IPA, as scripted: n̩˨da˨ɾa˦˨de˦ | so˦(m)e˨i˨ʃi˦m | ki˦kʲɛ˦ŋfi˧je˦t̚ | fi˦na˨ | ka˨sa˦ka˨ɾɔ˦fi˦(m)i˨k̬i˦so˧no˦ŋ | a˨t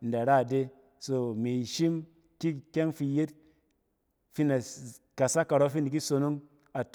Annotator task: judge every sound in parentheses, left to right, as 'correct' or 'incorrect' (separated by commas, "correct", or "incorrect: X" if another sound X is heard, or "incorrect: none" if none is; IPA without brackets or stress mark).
correct, incorrect: n